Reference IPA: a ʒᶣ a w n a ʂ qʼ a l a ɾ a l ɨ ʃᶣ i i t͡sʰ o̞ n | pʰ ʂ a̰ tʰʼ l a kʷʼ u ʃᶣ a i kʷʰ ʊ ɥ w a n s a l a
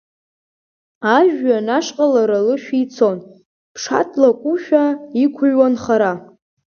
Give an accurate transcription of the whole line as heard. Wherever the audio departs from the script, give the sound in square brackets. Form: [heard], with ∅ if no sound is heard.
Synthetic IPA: a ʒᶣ a [∅] n a ʂ qʼ a l a ɾ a l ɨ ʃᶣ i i t͡sʰ o̞ n | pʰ ʂ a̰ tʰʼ l a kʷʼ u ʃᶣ a i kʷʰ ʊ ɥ w a n [χ] a [ɾ] a